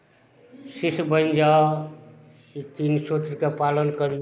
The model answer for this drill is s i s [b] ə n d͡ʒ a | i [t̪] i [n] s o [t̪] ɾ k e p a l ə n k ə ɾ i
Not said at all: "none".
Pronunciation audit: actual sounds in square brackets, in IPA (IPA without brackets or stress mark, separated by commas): b, t̪, n, t̪